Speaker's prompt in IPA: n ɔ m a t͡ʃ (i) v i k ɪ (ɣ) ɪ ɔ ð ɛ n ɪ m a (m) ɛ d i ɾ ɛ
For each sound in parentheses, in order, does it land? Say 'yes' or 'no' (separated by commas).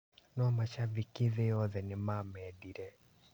no, no, yes